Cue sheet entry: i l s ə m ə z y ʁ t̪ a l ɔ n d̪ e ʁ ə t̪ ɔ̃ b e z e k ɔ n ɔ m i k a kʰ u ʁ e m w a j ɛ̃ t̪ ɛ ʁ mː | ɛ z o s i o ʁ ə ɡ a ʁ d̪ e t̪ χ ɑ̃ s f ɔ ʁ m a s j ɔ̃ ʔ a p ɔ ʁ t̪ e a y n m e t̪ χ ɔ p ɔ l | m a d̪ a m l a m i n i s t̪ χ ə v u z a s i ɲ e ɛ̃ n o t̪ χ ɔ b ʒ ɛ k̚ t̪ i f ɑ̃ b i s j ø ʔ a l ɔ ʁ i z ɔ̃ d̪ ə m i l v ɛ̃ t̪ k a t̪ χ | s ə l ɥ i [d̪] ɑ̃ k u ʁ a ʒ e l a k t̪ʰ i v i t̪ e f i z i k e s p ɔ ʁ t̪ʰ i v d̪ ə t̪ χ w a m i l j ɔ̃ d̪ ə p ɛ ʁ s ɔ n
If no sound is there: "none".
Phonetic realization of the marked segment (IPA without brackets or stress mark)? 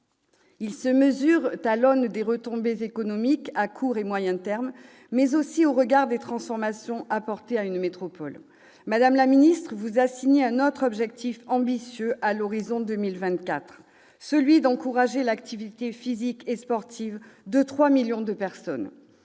d̪